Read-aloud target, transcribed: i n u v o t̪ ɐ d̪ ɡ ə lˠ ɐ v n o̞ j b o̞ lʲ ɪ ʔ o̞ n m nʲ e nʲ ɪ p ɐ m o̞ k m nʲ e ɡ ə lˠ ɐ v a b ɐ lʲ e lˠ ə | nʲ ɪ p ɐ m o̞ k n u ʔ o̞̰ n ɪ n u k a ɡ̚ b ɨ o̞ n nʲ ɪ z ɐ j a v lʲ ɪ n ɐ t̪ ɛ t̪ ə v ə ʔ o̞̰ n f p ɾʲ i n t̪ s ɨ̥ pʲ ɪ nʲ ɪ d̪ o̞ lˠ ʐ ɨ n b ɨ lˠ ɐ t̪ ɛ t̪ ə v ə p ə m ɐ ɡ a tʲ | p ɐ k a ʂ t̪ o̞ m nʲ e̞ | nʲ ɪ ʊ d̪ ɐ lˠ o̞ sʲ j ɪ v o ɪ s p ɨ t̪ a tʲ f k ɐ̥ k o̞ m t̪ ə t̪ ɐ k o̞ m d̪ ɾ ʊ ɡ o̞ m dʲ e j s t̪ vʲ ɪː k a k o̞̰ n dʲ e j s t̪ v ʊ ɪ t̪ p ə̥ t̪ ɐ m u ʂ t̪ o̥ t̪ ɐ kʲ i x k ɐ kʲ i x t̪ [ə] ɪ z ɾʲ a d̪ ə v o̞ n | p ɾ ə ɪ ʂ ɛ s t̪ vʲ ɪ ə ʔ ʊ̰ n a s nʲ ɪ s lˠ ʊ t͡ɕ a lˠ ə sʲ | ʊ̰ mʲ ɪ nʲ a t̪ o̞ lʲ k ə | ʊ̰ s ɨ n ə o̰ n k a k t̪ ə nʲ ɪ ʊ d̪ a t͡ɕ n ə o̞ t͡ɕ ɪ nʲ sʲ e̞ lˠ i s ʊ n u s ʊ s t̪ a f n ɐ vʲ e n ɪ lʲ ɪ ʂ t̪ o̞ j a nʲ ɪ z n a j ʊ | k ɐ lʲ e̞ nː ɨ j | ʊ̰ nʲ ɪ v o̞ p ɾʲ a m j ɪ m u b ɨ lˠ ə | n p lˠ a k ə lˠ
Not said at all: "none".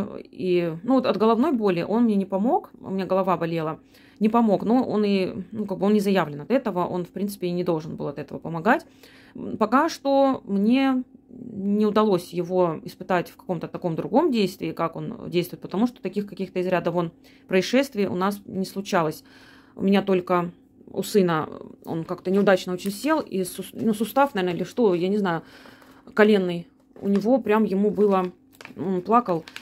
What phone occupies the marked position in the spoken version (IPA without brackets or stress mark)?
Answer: ə